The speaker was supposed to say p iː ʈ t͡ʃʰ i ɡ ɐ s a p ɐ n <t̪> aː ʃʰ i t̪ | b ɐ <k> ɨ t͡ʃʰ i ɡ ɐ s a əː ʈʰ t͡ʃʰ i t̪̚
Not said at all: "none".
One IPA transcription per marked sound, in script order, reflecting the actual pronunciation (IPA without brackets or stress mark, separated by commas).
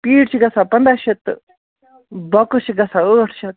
d̪, k